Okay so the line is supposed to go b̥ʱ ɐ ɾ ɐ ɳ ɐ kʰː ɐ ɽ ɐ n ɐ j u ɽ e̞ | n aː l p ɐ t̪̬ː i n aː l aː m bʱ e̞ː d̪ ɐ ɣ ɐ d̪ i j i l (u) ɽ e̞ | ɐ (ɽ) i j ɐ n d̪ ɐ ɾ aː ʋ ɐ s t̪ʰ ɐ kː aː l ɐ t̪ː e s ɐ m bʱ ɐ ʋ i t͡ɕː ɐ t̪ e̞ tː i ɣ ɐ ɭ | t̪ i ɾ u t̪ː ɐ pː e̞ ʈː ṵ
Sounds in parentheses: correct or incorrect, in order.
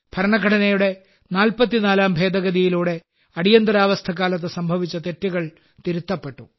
incorrect: uː, correct

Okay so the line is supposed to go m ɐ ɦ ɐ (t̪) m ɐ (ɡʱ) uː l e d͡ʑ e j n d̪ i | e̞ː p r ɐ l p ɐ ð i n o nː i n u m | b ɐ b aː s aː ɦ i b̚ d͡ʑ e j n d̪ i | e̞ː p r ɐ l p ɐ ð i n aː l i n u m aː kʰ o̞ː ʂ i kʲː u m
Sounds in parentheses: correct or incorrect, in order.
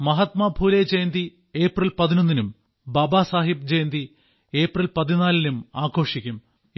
correct, incorrect: bʱ

